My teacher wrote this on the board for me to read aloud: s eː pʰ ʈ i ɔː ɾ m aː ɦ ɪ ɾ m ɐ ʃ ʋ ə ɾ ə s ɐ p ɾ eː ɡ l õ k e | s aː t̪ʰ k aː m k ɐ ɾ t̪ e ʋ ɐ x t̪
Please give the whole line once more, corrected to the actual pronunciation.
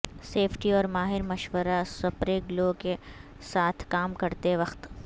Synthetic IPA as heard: s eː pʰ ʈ i ɔː ɾ m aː ɦ ɪ ɾ m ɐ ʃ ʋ ə ɾ a s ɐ p ɾ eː ɡ l o k e | s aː t̪ʰ k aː m k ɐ ɾ t̪ e ʋ ɐ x t̪